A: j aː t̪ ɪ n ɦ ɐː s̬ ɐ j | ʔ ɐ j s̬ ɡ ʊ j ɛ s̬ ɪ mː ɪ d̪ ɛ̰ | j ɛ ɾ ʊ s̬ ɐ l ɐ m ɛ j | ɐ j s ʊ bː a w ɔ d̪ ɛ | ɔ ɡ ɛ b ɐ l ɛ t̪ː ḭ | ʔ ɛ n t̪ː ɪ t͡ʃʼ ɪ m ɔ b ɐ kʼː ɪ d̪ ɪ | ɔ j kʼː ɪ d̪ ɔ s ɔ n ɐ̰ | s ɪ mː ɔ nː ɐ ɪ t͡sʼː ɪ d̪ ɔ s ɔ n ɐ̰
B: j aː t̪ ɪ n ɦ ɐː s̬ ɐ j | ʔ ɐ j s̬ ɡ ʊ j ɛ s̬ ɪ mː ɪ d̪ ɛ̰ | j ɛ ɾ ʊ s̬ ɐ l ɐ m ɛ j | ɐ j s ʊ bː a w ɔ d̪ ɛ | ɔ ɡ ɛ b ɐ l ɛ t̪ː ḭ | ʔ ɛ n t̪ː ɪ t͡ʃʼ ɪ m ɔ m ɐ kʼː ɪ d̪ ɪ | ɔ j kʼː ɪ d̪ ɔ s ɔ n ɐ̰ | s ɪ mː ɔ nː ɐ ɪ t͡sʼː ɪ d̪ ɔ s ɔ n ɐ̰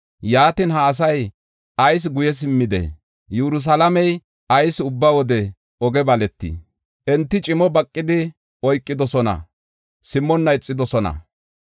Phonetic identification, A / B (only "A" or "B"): A